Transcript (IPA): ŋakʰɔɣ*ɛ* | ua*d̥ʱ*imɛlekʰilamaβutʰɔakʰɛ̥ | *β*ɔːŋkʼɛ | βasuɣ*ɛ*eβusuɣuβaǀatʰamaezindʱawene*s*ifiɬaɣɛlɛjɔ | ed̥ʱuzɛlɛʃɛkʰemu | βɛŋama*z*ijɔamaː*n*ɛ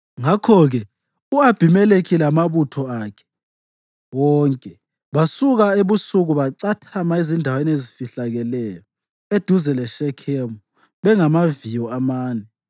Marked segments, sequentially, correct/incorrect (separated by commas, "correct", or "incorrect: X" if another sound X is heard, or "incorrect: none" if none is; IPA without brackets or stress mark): correct, incorrect: b̥ʱ, incorrect: w, incorrect: a, incorrect: z, incorrect: v, correct